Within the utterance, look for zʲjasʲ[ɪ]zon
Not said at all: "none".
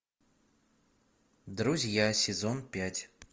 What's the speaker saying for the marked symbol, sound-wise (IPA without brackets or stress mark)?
ɪ